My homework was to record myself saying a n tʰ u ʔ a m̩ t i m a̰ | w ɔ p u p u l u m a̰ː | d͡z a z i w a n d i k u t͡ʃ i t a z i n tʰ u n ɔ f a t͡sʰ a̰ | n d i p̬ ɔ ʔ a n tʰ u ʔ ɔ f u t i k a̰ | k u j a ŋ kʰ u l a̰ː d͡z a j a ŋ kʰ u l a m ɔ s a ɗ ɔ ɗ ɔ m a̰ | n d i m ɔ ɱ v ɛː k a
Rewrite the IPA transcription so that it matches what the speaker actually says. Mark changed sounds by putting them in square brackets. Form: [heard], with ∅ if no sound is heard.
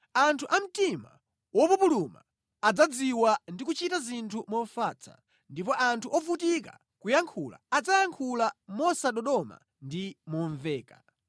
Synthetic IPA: a n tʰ u ʔ a m̩ t i m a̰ | w ɔ p u p u l u m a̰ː | d͡z a [d͡z] i w a n d i k u t͡ʃ i t a z i n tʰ u [m] ɔ f a t͡sʰ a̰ | n d i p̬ ɔ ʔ a n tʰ u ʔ ɔ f u t i k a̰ | k u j a ŋ kʰ u l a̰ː d͡z a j a ŋ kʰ u l a m ɔ s a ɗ ɔ ɗ ɔ m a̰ | n d i m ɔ ɱ v ɛː k a